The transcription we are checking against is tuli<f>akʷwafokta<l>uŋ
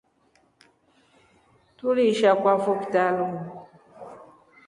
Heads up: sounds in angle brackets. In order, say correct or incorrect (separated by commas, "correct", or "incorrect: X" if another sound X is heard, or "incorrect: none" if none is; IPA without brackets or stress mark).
incorrect: ʃ, correct